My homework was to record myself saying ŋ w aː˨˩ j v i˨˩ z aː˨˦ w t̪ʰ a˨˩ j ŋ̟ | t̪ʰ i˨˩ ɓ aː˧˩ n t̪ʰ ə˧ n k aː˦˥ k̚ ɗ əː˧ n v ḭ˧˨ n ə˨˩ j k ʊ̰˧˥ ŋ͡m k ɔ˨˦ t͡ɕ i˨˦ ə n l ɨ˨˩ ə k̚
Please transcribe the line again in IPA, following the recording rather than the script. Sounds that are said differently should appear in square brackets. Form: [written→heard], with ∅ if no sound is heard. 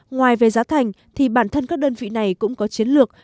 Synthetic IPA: ŋ w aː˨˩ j v [i˨˩→e˨˩] z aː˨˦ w t̪ʰ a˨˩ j ŋ̟ | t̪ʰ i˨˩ ɓ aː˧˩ n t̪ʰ ə˧ n k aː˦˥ k̚ ɗ əː˧ n v ḭ˧˨ n [ə˨˩→a˨˩] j k ʊ̰˧˥ ŋ͡m k ɔ˨˦ t͡ɕ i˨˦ ə n l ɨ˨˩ ə k̚